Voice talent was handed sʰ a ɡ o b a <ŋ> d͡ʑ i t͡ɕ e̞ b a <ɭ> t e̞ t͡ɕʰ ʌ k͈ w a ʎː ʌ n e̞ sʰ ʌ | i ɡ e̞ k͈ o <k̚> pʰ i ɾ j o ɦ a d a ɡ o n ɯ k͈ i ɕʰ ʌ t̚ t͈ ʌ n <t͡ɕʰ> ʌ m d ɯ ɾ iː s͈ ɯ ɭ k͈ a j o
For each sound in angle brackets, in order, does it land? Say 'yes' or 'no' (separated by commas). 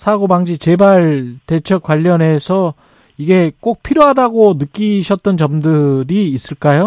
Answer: yes, yes, yes, no